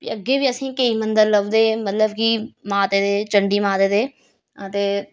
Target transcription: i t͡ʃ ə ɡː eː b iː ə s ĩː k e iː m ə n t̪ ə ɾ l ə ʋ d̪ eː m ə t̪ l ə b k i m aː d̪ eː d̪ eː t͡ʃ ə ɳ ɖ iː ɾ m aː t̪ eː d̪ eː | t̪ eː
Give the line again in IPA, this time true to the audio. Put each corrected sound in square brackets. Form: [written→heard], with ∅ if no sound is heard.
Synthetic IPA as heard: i [t͡ʃ→∅] ə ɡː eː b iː ə s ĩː k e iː m ə n [t̪→d̪] ə ɾ l ə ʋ d̪ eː m ə t̪ l ə b k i m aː [d̪→t̪] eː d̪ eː t͡ʃ ə ɳ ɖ iː [ɾ→∅] m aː t̪ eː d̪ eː | t̪ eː